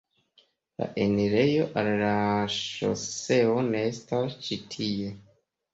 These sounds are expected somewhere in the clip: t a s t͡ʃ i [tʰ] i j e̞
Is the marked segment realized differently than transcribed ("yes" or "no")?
no